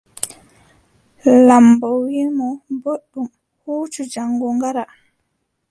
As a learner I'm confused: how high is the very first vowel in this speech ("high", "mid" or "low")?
low